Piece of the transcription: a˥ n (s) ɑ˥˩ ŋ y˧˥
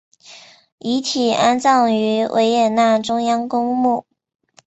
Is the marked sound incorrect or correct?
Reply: incorrect: t͡s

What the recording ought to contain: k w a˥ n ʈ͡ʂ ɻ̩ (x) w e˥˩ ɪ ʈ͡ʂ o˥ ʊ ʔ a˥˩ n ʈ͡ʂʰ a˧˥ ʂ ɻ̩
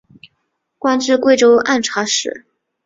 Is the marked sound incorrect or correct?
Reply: incorrect: k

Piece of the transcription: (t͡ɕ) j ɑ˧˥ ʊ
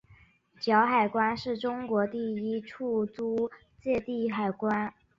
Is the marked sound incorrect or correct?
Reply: correct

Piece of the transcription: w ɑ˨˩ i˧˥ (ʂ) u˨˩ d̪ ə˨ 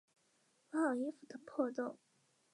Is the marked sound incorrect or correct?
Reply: incorrect: f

